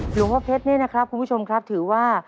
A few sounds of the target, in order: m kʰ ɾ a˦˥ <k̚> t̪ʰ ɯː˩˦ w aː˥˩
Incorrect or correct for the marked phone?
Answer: incorrect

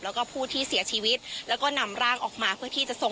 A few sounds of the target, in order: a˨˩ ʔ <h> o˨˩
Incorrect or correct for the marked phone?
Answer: incorrect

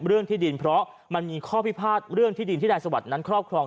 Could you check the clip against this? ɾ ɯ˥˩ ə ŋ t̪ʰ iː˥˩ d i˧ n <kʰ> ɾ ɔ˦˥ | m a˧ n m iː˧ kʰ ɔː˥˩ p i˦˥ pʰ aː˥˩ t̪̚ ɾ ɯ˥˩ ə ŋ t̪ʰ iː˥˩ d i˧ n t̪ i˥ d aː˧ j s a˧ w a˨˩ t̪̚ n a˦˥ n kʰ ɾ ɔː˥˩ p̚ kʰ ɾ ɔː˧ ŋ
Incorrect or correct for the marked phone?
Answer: incorrect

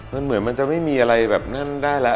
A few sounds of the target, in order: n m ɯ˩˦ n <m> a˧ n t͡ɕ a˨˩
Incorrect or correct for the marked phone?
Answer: correct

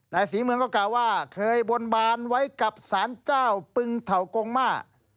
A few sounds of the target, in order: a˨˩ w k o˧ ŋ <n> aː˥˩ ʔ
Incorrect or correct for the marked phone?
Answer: incorrect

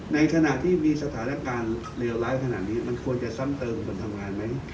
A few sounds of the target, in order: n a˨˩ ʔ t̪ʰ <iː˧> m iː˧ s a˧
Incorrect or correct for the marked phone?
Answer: incorrect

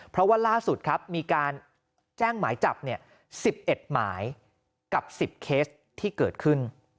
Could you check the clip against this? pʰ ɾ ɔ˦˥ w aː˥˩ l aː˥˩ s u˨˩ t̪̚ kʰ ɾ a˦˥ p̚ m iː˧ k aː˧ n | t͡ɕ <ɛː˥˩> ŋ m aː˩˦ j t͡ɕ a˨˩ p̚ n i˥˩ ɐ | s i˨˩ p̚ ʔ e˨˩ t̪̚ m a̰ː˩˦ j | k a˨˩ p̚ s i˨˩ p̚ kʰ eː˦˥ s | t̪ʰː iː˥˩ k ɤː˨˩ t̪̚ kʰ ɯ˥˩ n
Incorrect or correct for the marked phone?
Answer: correct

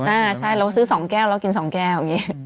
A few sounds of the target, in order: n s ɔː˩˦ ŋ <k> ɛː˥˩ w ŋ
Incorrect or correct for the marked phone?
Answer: correct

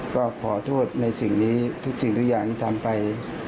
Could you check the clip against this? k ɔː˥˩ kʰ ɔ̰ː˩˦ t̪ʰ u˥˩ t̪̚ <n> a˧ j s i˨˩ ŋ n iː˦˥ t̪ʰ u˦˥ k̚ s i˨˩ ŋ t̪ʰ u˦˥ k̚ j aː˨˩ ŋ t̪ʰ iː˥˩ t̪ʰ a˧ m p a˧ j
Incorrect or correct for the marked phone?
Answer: correct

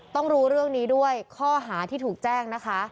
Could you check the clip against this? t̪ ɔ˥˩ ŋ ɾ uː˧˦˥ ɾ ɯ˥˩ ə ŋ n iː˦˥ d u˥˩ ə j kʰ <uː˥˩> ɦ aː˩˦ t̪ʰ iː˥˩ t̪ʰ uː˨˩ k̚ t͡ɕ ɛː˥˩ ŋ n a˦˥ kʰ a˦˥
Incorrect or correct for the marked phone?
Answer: incorrect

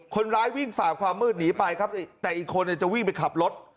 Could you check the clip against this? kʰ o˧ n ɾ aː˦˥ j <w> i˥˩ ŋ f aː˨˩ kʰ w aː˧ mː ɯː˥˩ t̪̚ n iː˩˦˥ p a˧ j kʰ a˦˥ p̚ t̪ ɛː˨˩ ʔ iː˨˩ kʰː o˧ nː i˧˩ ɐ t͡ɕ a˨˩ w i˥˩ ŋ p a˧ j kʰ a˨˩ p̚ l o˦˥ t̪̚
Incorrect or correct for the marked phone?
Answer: correct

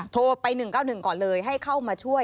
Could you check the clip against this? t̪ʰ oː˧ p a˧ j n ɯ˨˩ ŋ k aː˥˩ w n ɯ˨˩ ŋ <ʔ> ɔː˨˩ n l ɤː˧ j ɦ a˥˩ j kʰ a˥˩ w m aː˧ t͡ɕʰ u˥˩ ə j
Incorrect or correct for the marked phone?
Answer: incorrect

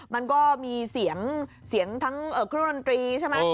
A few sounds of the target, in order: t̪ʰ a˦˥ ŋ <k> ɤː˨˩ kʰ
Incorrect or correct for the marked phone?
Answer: incorrect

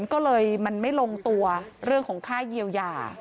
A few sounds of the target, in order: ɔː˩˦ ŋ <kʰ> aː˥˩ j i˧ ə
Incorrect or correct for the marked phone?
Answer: correct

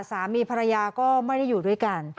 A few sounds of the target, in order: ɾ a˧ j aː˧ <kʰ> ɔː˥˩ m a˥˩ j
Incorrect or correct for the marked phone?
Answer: incorrect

